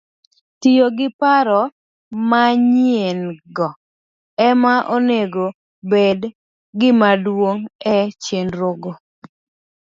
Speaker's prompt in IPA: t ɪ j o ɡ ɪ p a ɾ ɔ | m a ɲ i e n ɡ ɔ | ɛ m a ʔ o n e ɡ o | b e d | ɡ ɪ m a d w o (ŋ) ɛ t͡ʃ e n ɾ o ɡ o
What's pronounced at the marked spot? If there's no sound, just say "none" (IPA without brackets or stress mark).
ŋ